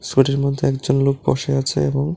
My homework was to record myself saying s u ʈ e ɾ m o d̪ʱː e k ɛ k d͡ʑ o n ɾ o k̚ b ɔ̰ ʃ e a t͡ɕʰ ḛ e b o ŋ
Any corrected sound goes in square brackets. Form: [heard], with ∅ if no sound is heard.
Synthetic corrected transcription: s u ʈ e ɾ m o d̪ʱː e [∅] ɛ k d͡ʑ o n [l] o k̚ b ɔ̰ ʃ e a t͡ɕʰ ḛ e b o ŋ